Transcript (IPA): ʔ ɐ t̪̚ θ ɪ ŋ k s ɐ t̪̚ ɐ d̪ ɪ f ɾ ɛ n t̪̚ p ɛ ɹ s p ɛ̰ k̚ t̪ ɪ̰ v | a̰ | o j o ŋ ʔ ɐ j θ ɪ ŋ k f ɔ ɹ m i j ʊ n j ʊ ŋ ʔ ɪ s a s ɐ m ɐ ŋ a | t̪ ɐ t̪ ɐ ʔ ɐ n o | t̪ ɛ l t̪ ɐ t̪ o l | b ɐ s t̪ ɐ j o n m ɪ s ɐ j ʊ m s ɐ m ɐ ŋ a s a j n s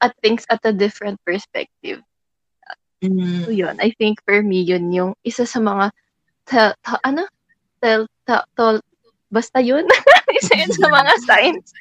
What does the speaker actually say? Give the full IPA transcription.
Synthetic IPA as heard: ʔ ɐ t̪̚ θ ɪ ŋ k s ɐ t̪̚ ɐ d̪ ɪ f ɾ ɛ n t̪̚ p ɛ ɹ s p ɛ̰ k̚ t̪ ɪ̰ v | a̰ | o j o n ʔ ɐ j θ ɪ ŋ k f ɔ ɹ m i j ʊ n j ʊ ŋ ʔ ɪ s a s ɐ m ɐ ŋ a | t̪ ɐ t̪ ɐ ʔ ɐ n o | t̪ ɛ l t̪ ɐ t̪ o l | b ɐ s t̪ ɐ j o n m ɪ s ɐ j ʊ n s ɐ m ɐ ŋ a s a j n s